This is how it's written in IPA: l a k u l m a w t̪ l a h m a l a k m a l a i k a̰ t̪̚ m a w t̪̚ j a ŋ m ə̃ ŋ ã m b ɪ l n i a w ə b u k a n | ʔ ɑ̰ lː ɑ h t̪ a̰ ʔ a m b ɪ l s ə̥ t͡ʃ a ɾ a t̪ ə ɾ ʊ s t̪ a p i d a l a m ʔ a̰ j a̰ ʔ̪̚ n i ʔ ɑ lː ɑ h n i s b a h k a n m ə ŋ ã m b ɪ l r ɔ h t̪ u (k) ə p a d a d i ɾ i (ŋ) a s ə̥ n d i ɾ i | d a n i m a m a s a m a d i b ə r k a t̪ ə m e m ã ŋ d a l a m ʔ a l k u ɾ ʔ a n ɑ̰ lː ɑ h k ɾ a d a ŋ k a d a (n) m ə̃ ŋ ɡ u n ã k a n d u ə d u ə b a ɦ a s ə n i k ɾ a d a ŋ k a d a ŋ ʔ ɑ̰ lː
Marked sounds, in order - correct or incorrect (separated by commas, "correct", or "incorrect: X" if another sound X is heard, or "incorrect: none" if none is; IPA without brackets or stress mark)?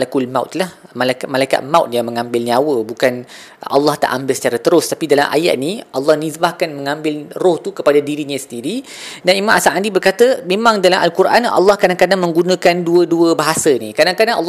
correct, incorrect: ɲ, incorrect: ŋ